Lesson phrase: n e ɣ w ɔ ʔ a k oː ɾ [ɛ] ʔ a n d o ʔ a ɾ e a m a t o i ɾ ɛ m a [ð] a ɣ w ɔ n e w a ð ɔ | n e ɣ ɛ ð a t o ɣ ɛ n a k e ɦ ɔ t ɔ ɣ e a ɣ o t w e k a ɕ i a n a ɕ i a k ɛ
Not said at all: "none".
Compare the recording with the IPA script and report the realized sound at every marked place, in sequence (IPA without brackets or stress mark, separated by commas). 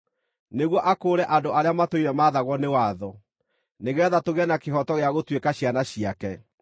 ɛ, ð